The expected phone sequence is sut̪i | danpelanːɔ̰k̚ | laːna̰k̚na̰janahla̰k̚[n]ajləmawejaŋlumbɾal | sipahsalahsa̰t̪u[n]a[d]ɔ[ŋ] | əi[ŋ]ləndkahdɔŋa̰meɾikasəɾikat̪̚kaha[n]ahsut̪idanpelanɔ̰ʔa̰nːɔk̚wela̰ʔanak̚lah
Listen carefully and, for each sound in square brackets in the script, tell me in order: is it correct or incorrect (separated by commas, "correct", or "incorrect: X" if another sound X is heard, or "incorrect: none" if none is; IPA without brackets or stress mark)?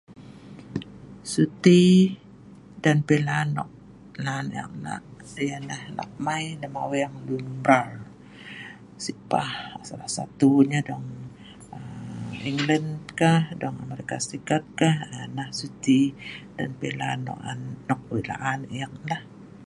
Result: incorrect: m, incorrect: ɲ, correct, correct, correct, correct